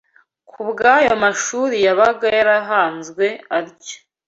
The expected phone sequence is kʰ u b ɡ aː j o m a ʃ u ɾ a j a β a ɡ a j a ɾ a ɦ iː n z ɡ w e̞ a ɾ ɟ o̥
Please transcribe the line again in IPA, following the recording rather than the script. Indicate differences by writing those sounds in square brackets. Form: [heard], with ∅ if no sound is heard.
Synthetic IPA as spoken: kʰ u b ɡ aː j o m a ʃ u ɾ [i] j a β a ɡ a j a ɾ a ɦ [aː] n z ɡ w e̞ a ɾ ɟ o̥